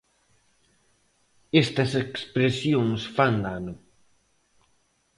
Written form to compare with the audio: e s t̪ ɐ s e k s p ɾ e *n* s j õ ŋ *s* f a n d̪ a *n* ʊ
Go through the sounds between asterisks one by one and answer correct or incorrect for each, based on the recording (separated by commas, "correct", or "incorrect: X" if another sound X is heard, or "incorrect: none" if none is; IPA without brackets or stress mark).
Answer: incorrect: none, correct, correct